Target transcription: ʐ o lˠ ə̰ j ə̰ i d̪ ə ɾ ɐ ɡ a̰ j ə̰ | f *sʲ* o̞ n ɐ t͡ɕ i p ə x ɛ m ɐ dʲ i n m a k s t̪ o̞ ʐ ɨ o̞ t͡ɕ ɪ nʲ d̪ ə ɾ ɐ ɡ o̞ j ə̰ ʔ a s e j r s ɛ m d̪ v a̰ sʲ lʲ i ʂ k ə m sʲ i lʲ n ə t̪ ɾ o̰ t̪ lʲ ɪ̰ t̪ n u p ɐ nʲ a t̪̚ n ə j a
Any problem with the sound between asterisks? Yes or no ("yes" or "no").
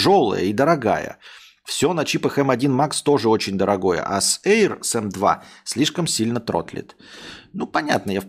no